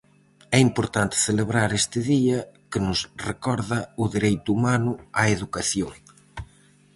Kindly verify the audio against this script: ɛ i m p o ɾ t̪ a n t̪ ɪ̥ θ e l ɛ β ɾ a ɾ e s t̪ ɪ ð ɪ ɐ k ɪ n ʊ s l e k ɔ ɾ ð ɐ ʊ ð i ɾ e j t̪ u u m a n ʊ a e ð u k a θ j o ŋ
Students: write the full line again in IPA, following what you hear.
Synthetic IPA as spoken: ɛ i m p o ɾ t̪ a n t̪ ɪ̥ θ e l e β ɾ a ɾ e s t̪ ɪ ð i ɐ k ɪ n ʊ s r e k ɔ ɾ ð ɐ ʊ ð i ɾ e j t̪ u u m a n ʊ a e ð u k a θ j o ŋ